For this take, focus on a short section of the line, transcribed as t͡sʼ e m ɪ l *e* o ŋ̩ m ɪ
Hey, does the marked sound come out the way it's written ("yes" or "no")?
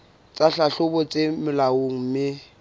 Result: no